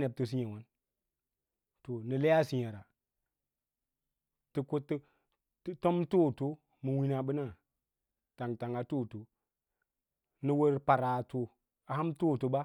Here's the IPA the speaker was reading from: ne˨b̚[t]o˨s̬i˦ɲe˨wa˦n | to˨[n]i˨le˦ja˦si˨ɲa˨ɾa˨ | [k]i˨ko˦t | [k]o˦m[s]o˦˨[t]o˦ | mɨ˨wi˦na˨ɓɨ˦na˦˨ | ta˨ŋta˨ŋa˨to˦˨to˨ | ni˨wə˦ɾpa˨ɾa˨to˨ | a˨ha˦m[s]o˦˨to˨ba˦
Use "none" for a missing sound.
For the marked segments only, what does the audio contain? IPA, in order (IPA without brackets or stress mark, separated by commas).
t, n, t, t, t, t, t